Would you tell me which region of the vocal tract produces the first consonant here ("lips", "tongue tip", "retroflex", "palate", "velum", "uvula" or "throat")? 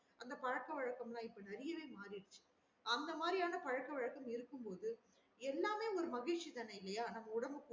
tongue tip